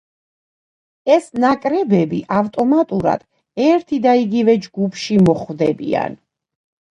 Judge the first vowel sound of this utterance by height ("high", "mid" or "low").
mid